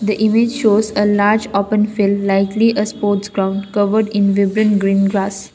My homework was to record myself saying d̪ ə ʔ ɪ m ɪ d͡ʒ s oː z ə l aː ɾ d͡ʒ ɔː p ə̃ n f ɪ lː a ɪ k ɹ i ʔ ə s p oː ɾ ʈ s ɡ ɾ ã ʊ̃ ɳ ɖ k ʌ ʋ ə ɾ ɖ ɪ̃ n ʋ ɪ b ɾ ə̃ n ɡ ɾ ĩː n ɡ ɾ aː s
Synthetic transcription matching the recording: d̪ ə ʔ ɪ m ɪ d͡ʒ ʃ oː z ə l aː ɾ d͡ʒ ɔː p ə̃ n f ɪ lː a ɪ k l i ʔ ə s p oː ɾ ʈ s ɡ ɾ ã ʊ̃ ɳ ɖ k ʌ ʋ ə ɾ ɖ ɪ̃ n ʋ ɪ b ɾ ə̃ n ɡ ɾ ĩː n ɡ ɾ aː s